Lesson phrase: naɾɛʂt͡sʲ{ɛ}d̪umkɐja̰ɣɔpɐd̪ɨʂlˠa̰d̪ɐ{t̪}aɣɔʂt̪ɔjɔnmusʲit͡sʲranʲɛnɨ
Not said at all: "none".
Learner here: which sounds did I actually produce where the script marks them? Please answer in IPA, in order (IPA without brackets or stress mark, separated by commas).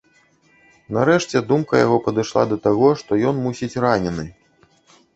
ɛ, t̪